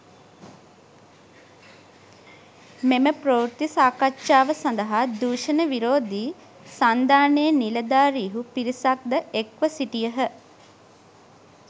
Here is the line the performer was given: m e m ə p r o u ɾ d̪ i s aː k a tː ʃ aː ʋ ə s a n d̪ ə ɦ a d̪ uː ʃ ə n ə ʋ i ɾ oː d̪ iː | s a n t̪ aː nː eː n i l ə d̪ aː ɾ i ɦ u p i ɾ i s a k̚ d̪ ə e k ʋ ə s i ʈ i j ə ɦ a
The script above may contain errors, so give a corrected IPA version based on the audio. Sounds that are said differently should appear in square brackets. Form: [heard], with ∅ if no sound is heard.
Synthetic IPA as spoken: m e m ə p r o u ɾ [t̪] i s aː k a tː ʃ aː ʋ ə s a n d̪ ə ɦ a d̪ uː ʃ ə n ə ʋ i ɾ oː d̪ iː | s a n [d̪] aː [n] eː n i l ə d̪ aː ɾ i ɦ u p i ɾ i s a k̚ d̪ ə e k ʋ ə s i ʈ i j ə ɦ [ə]

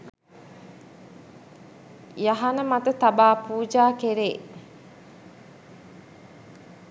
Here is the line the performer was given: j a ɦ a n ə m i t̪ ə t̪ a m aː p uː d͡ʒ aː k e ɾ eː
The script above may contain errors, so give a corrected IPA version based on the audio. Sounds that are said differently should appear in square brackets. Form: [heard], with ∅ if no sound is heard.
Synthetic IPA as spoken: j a ɦ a n ə m [a] t̪ ə t̪ a [b] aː p uː d͡ʒ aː k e ɾ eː

